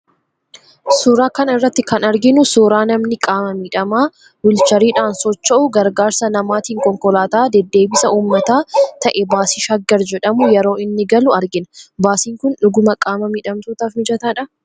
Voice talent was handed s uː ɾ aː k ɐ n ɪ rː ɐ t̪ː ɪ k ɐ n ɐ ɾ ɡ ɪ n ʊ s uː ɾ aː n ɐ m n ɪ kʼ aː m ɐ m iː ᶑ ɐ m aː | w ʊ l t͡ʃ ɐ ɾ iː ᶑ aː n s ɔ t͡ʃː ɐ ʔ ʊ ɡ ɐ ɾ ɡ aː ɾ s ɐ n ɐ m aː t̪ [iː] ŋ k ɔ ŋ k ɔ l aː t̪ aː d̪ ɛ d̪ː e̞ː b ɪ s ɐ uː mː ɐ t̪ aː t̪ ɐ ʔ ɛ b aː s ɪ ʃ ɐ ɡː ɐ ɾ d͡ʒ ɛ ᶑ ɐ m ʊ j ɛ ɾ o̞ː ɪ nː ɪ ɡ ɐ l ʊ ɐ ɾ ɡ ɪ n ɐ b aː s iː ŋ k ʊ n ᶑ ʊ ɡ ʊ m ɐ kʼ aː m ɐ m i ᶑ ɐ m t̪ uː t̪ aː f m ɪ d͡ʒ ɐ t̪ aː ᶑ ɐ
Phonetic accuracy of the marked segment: correct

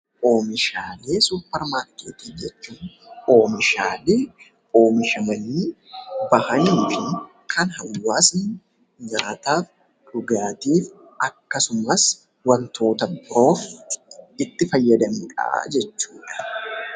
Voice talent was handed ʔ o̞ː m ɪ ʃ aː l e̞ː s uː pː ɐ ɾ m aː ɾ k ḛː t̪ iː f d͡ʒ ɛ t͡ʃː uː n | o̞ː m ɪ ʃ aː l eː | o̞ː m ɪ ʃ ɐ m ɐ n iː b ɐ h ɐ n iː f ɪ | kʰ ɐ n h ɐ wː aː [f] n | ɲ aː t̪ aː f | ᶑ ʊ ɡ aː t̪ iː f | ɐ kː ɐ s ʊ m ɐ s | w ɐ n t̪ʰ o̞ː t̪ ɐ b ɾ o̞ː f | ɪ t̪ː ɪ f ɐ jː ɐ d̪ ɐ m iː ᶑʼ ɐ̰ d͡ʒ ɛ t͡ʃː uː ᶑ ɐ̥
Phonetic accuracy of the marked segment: incorrect: s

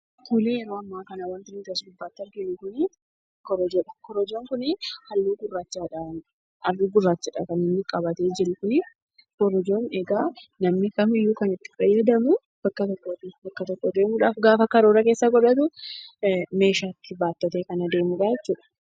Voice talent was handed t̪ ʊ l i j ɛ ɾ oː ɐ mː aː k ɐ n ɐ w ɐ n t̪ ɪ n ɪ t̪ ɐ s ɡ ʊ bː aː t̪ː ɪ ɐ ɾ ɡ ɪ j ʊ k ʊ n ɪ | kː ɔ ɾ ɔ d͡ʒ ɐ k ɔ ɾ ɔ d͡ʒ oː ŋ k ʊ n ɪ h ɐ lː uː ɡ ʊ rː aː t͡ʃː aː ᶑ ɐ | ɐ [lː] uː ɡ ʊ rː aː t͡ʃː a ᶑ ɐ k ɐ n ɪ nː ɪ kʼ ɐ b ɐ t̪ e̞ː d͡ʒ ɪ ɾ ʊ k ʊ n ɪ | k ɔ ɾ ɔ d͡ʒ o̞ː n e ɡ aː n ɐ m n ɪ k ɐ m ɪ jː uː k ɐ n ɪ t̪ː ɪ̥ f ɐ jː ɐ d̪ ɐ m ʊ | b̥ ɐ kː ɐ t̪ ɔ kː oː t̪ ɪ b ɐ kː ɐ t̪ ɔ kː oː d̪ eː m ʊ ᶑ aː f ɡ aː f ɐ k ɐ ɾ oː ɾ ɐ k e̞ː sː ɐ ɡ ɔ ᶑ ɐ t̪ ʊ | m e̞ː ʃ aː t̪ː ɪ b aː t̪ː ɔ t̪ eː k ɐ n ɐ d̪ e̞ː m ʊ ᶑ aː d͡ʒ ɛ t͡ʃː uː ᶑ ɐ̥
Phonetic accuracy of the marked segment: incorrect: rː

